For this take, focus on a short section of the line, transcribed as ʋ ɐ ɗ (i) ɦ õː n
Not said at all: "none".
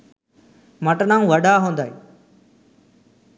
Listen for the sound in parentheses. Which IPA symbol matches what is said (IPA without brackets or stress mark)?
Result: a